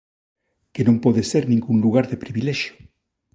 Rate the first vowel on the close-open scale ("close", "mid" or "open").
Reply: mid